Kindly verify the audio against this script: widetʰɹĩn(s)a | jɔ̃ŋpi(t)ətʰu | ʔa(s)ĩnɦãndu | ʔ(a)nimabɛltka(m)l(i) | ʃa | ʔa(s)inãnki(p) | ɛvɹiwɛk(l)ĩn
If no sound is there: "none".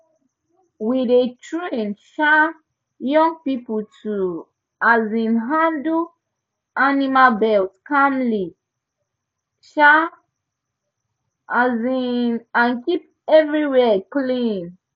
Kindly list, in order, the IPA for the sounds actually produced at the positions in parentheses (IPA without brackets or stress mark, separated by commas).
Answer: ʃ, p, z, a, m, i, z, p, l